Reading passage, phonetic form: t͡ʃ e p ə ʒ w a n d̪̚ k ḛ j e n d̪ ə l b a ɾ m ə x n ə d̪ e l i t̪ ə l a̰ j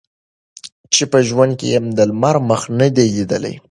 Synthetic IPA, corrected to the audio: t͡ʃ e p ə ʒ w a n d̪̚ k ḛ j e m d̪ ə l m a ɾ m ə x n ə d̪ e l i d̪ ə l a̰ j